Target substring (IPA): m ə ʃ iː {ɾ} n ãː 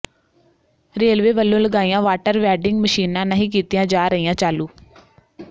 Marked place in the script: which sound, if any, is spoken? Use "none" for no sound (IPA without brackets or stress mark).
none